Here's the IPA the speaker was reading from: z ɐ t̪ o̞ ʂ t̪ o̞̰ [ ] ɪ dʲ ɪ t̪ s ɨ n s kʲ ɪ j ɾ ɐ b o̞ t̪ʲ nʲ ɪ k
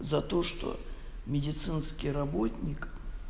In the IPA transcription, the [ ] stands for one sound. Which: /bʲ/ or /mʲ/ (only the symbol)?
mʲ